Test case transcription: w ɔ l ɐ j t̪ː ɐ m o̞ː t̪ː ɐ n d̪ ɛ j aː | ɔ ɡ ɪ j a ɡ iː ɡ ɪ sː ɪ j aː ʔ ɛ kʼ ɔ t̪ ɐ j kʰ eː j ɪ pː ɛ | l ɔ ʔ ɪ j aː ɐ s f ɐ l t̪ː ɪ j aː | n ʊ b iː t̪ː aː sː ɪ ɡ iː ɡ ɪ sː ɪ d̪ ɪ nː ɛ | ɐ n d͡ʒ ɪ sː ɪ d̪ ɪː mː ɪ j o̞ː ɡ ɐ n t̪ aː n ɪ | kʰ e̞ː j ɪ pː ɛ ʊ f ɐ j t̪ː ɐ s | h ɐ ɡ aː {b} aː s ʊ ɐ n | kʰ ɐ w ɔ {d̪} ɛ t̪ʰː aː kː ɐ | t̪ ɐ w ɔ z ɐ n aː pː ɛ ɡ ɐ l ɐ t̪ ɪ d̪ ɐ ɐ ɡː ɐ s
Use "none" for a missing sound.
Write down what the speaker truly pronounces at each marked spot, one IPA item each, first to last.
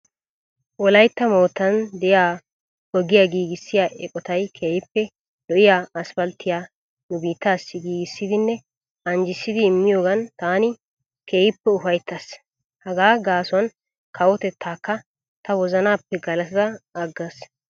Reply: ɡ, t̪

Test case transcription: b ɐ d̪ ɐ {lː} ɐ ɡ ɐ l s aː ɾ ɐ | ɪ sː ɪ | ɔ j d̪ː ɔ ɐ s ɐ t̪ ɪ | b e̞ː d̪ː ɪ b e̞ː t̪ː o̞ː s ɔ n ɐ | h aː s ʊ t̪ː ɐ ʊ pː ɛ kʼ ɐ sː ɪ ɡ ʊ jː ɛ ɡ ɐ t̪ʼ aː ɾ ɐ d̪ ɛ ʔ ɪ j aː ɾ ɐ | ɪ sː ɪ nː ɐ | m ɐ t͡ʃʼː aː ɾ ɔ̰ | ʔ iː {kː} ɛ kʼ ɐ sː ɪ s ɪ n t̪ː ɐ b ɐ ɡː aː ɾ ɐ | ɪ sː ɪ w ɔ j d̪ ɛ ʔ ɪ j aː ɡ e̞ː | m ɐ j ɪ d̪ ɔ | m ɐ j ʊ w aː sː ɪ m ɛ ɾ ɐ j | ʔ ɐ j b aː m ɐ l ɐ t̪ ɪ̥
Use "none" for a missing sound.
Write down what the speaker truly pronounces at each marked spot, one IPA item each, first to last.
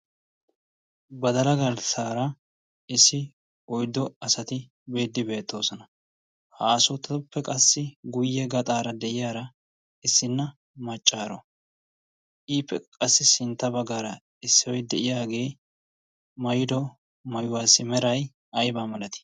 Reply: l, pː

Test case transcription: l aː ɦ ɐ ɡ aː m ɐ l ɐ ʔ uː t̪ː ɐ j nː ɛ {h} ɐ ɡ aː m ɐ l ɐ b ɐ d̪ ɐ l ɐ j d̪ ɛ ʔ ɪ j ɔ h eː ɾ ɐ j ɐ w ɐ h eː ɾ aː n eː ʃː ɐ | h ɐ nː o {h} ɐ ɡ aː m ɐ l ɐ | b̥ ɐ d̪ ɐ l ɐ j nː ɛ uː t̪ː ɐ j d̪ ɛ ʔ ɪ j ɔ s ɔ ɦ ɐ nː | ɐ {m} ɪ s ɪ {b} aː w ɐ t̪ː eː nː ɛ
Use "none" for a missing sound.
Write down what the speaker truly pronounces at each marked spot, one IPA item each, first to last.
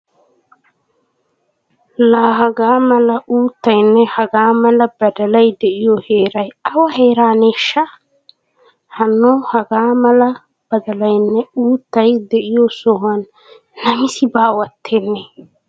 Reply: h, h, m, b

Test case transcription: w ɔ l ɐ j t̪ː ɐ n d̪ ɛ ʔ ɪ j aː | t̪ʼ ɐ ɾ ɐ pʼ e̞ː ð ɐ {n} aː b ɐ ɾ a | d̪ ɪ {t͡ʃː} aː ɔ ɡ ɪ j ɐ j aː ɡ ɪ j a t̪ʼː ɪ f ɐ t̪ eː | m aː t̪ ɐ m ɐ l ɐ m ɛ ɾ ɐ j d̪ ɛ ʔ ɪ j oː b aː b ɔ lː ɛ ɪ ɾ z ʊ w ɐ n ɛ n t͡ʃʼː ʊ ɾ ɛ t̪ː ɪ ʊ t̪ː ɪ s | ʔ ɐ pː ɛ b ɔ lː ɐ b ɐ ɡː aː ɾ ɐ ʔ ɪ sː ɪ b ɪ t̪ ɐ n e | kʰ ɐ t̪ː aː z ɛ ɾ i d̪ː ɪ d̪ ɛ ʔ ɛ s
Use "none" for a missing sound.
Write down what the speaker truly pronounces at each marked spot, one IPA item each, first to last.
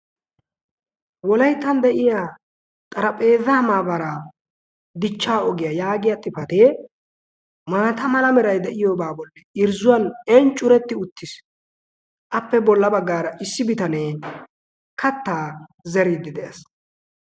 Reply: m, t͡ʃː

